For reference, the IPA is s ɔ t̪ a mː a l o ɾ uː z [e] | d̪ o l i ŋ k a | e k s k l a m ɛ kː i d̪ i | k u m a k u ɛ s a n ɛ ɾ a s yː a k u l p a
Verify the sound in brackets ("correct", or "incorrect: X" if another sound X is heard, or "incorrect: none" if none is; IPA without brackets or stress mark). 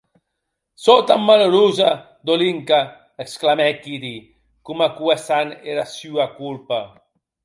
incorrect: a